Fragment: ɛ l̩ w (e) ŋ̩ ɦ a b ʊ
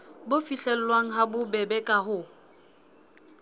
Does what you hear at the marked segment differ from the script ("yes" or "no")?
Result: yes